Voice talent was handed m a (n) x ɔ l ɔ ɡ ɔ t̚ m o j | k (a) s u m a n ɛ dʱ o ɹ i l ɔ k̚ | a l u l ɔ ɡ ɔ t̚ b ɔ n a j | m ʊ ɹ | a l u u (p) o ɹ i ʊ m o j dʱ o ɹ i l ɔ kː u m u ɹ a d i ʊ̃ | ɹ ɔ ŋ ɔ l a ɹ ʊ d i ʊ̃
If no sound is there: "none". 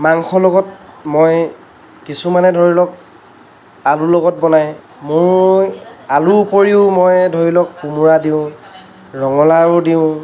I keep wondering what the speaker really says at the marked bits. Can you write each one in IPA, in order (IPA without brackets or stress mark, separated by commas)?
ŋ, i, p